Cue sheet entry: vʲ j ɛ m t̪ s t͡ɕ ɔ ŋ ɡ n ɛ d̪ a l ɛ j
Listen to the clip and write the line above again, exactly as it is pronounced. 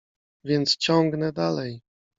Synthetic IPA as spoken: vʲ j ɛ n t̪ s t͡ɕ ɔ ŋ ɡ n ɛ d̪ a l ɛ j

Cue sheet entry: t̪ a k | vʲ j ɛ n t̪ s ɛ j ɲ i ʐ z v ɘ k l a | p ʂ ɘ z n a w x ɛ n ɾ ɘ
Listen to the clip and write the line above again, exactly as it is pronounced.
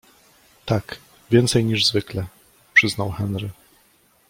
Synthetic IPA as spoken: t̪ a k | vʲ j ɛ n t̪ s ɛ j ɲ i ʐ z v ɘ k l ɛ | p ʂ ɘ z n a w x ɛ n ɾ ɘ

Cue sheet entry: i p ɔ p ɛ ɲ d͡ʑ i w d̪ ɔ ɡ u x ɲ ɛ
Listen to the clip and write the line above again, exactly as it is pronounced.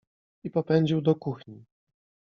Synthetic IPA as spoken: i p ɔ p ɛ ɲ d͡ʑ i w d̪ ɔ k u x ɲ i

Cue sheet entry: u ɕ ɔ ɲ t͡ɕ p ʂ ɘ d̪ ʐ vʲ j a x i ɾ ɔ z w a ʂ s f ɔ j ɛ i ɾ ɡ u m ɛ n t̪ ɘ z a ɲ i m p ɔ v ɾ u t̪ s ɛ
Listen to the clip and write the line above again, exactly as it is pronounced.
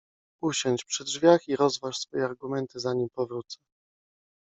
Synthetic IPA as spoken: u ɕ ɔ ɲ t͡ɕ p ʂ ɘ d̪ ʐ vʲ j a x i ɾ ɔ z v a ʂ s f ɔ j ɛ a ɾ ɡ u m ɛ n t̪ ɘ z a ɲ i m p ɔ v ɾ u t̪ s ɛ

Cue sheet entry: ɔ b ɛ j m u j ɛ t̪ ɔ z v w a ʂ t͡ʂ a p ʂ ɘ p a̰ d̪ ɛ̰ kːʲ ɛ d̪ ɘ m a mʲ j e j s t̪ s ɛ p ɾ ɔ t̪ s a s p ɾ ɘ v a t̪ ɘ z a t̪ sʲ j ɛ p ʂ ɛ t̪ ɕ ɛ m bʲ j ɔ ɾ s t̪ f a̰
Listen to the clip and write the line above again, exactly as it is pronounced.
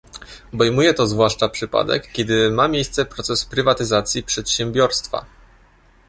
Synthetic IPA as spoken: ɔ b ɛ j m u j ɛ t̪ ɔ z v w a ʂ t͡ʂ a p ʂ ɘ p a̰ d̪ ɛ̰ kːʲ ɛ d̪ ɘ m a mʲ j e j s t̪ s ɛ p ɾ ɔ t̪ s ɛ s p ɾ ɘ v a t̪ ɘ z a t̪ sʲ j i p ʂ ɛ t̪ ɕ ɛ m bʲ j ɔ ɾ s t̪ f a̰

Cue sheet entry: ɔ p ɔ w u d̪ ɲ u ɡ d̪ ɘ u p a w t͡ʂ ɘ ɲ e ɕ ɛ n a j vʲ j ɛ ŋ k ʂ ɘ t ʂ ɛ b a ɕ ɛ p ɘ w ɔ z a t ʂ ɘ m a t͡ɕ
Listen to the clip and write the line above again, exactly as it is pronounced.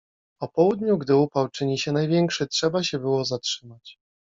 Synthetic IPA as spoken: ɔ p ɔ w u d̪ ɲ u ɡ d̪ ɘ u p a w t͡ʂ ɘ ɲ i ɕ ɛ n a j vʲ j ɛ ŋ k ʂ ɘ t ʂ ɛ b a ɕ ɛ b ɘ w ɔ z a t ʂ ɘ m a t͡ɕ

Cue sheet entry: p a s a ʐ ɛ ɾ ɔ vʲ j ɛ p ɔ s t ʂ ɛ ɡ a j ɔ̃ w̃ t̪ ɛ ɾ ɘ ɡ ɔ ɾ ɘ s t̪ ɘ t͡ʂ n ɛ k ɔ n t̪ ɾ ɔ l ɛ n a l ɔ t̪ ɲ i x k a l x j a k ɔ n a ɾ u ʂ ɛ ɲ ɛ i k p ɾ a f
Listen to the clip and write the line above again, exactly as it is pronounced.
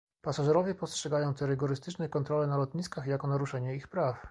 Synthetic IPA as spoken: p a s a ʐ ɛ ɾ ɔ vʲ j ɛ p ɔ s t ʂ ɛ ɡ a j ɔ̃ w̃ t̪ ɛ ɾ ɘ ɡ ɔ ɾ ɘ s t̪ ɘ t͡ʂ n ɛ k ɔ n t̪ ɾ ɔ l ɛ n a l ɔ t̪ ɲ i s k a x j a k ɔ n a ɾ u ʂ ɛ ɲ ɛ i x p ɾ a f

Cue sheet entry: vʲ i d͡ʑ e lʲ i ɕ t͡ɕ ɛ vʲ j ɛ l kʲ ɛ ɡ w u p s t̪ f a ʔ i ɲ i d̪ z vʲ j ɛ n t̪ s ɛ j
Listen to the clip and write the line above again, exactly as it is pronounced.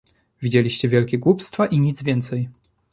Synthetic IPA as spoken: vʲ i d͡ʑ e lʲ i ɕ t͡ɕ ɛ vʲ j ɛ l kʲ ɛ ɡ w u p s t̪ f a ʔ i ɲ i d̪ z vʲ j ɛ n t̪ s ɛ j

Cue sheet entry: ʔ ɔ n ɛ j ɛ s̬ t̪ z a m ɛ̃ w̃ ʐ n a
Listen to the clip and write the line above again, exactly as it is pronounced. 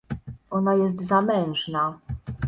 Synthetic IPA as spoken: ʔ ɔ n a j ɛ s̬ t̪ z a m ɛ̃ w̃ ʐ n a

